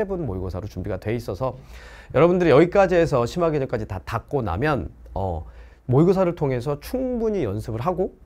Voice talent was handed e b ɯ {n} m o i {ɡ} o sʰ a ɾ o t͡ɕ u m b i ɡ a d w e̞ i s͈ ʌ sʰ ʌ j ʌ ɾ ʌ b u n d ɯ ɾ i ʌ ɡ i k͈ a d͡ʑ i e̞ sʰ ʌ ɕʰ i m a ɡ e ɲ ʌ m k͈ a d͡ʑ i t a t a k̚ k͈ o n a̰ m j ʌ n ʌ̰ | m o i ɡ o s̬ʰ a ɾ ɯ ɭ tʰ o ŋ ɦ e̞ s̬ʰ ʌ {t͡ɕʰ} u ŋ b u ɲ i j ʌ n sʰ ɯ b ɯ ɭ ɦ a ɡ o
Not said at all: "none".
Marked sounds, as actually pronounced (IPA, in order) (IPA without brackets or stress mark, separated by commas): n, ɡ, t͡ɕʰ